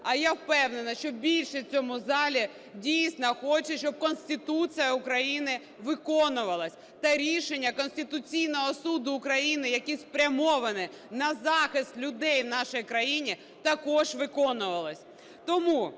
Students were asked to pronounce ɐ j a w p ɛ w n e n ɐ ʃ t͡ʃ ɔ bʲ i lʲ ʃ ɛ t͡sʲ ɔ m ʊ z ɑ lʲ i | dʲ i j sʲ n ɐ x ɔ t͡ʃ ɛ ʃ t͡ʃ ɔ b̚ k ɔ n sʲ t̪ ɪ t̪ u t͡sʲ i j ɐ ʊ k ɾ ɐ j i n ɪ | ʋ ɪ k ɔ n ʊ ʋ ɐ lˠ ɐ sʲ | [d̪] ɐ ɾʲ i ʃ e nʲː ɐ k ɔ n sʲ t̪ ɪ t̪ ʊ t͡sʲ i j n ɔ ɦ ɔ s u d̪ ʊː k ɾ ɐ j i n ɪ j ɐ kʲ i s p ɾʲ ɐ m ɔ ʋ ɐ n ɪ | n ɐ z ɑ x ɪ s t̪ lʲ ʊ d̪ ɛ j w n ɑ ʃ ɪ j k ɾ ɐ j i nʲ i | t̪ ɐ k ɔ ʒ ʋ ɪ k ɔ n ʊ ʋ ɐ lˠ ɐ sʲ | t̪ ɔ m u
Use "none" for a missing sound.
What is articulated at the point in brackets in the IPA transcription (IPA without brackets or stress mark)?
t̪